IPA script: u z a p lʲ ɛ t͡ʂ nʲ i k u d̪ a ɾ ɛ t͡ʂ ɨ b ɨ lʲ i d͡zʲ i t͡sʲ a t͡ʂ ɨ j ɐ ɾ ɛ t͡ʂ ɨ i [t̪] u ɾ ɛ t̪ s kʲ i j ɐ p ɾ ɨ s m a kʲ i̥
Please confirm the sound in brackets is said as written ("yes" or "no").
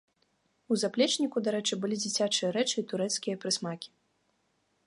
yes